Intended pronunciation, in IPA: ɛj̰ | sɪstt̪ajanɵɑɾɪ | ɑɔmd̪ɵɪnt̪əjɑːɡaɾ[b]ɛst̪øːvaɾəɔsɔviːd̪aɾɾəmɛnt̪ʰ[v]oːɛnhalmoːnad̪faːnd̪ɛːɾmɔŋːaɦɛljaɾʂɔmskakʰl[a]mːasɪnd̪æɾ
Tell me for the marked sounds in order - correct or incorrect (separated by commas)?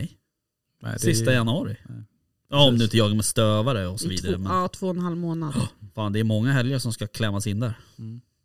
incorrect, correct, incorrect